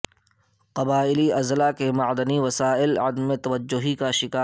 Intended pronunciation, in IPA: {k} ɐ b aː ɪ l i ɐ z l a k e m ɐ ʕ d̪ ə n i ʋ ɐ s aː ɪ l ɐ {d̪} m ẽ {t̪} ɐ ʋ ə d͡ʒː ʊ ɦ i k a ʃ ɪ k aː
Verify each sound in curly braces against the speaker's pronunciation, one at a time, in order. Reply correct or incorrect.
incorrect: q, correct, correct

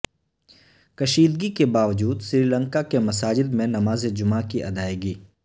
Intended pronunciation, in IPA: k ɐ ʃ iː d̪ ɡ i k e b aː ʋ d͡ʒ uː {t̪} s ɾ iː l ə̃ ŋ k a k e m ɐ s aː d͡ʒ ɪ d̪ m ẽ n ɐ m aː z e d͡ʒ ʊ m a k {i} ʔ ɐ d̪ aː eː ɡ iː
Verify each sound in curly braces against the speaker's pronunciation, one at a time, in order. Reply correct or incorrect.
incorrect: d̪, correct

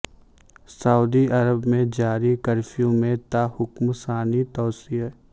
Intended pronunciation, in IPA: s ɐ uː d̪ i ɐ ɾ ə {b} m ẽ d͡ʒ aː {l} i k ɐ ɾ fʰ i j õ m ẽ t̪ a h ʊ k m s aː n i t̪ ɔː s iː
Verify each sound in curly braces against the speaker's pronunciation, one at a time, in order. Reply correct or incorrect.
correct, incorrect: ɾ

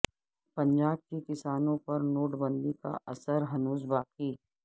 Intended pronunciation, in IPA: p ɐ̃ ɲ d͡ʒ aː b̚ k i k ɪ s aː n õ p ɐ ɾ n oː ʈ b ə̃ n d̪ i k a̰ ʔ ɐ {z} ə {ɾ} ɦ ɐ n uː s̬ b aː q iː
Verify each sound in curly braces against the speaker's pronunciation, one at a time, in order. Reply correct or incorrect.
incorrect: s, correct

